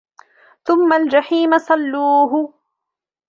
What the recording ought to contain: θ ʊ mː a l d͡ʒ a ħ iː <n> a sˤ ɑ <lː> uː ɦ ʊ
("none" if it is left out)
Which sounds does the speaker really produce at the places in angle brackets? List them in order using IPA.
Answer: m, lː

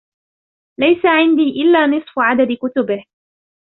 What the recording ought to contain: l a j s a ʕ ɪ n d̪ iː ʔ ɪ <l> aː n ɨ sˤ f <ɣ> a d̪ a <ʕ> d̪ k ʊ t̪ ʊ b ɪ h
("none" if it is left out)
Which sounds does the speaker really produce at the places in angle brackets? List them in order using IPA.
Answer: lː, ʕ, none

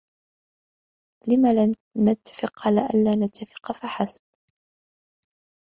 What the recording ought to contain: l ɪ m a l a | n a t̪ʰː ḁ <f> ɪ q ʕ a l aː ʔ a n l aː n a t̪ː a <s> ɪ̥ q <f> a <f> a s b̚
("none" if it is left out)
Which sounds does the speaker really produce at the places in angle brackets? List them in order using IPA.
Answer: f, f, f, ħ

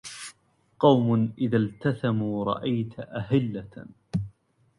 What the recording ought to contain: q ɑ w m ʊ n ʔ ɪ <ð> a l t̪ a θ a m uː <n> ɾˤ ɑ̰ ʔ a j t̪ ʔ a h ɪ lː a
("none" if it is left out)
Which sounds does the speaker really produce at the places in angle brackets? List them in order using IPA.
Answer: ð, none

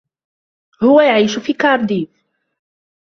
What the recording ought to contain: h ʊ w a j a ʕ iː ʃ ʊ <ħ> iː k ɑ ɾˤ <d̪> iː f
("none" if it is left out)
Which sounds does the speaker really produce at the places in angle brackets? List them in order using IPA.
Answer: f, d̪

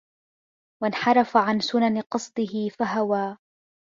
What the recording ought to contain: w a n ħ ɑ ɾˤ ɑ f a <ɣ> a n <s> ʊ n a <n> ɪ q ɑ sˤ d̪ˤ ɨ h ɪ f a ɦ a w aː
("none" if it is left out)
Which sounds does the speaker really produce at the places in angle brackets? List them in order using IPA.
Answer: ʕ, s, n

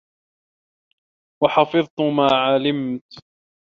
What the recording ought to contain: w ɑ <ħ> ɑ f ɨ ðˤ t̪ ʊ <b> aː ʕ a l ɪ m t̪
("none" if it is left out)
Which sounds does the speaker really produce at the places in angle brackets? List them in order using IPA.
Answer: ħ, m

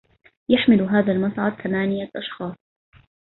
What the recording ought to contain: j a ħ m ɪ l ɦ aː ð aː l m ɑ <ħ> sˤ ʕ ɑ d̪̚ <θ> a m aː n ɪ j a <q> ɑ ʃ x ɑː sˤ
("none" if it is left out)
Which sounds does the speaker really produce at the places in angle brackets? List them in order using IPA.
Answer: none, θ, ʔ

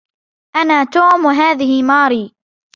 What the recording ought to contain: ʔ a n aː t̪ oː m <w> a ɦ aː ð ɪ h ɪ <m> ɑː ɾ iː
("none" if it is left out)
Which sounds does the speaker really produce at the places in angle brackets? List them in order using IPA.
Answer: w, m

